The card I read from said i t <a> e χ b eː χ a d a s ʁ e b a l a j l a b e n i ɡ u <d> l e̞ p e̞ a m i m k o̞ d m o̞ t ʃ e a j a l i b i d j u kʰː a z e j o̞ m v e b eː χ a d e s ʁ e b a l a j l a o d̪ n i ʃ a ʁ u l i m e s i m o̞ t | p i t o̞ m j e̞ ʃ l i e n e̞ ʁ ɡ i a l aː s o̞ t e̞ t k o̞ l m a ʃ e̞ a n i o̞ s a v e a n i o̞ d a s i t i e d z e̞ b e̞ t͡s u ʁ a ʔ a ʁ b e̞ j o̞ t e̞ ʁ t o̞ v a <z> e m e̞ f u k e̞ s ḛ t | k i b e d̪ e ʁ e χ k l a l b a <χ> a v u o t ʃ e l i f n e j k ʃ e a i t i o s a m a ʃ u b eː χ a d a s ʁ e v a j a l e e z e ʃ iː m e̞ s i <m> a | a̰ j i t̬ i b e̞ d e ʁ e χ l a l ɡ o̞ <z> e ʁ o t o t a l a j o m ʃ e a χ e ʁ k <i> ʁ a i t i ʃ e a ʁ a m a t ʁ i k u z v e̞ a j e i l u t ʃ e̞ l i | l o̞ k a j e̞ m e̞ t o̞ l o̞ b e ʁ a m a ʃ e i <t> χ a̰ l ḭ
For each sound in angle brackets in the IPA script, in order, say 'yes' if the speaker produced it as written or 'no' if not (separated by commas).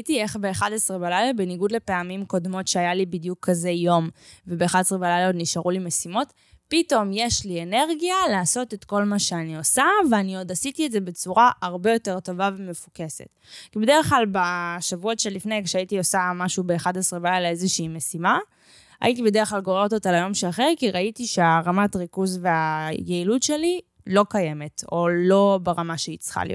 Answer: no, yes, no, no, yes, no, yes, no